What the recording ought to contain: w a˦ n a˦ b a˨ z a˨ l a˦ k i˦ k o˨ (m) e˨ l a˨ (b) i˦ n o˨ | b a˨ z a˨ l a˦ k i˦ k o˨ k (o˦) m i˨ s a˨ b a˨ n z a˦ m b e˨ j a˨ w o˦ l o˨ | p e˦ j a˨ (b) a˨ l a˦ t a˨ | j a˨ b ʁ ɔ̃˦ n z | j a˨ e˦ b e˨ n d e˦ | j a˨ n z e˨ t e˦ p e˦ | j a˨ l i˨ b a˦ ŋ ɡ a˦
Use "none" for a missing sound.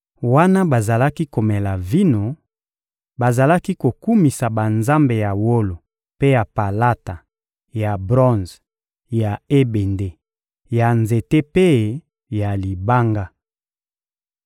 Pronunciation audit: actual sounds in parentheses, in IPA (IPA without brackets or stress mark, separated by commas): m, v, u˦, p